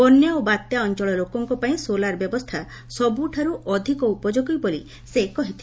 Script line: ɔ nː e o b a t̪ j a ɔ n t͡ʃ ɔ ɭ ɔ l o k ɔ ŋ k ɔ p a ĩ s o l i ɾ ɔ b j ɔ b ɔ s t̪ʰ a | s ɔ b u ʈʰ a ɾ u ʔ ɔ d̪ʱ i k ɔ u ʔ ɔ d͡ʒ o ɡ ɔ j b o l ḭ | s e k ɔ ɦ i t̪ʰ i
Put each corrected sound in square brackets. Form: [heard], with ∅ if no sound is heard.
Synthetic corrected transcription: ɔ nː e o b a t̪ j a ɔ n t͡ʃ ɔ ɭ ɔ l o k ɔ ŋ k ɔ p a ĩ s o l [a] ɾ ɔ b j ɔ b ɔ s t̪ʰ a | s ɔ b u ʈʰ a ɾ u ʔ ɔ d̪ʱ i k ɔ u [p] ɔ d͡ʒ o ɡ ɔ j b o l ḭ | s e k ɔ ɦ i t̪ʰ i